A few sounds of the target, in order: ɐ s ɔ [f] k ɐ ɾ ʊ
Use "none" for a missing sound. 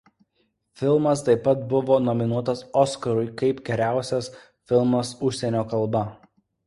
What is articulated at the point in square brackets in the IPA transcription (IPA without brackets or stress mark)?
s